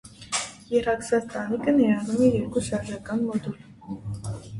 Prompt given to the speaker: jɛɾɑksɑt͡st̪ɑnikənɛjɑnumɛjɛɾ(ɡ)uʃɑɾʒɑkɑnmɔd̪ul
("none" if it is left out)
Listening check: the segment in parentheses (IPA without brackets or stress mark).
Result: k